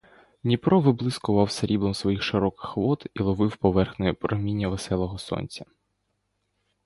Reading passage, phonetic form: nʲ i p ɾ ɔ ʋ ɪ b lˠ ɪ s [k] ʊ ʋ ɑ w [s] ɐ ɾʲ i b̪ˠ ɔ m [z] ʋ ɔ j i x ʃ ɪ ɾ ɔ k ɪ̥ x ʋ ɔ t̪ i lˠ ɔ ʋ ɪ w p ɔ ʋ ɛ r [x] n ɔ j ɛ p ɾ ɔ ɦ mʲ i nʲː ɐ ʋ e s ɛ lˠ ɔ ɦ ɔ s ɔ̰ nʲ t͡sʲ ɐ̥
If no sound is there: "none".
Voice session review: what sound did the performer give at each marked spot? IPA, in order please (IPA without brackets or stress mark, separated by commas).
k, s, s, x